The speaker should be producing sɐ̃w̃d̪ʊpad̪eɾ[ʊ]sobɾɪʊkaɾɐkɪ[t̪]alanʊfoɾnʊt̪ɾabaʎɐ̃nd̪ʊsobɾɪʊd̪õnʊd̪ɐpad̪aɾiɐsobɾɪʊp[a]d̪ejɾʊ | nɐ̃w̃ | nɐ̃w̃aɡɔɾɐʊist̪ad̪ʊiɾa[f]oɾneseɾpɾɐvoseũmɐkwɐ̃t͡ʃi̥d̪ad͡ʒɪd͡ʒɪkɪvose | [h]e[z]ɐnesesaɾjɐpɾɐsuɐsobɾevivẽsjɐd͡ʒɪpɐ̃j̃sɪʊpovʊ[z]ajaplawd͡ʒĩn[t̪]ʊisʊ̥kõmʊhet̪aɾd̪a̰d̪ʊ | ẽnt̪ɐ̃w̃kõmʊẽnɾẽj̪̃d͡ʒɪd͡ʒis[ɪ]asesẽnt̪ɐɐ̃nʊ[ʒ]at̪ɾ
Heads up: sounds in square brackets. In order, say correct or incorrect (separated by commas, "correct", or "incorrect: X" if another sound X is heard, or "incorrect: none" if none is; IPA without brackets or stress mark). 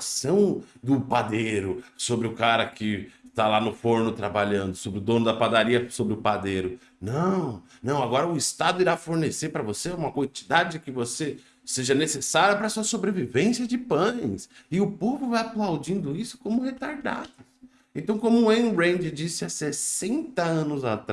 correct, correct, correct, correct, incorrect: s, incorrect: ʒ, incorrect: v, incorrect: d̪, correct, incorrect: z